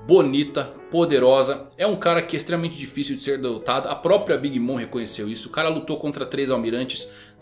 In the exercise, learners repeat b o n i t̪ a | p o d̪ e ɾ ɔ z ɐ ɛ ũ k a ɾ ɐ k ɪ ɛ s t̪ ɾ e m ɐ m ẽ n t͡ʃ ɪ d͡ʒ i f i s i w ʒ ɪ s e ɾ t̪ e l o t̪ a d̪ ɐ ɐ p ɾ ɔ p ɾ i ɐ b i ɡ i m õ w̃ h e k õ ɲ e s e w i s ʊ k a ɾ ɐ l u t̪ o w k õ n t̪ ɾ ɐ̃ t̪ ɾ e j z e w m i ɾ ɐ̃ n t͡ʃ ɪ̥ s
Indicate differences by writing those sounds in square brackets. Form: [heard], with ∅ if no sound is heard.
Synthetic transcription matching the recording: b o n i t̪ [ɐ] | p o d̪ e ɾ ɔ z ɐ ɛ ũ k a ɾ ɐ k ɪ ɛ s t̪ ɾ e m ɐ m ẽ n t͡ʃ ɪ d͡ʒ i f i s i w [d͡ʒ] ɪ s e ɾ [d̪] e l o t̪ a d̪ ɐ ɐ p ɾ ɔ p ɾ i ɐ b i ɡ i m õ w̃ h e k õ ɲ e s e w i s ʊ k a ɾ ɐ l u t̪ o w k õ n t̪ ɾ [ɐ] t̪ ɾ e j z [a] w m i ɾ ɐ̃ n t͡ʃ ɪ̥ s